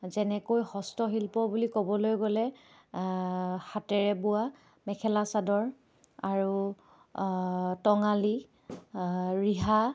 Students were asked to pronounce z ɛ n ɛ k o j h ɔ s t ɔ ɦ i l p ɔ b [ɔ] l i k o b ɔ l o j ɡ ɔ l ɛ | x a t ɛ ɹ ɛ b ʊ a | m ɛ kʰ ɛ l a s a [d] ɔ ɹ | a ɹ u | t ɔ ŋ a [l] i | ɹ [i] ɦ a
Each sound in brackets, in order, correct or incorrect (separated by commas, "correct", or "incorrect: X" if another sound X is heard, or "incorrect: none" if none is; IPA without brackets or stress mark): incorrect: u, correct, correct, correct